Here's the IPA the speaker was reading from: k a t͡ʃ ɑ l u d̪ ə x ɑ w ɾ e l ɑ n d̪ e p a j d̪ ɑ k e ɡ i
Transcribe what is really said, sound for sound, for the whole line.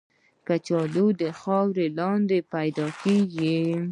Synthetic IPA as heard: k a t͡ʃ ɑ l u d̪ ə x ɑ w ɾ e l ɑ n d̪ e p a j d̪ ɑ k e ɡ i